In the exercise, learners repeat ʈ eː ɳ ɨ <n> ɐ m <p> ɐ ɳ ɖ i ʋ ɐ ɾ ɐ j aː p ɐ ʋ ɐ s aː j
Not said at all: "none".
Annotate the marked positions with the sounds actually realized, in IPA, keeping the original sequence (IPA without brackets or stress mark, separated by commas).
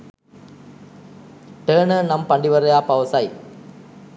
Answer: n, p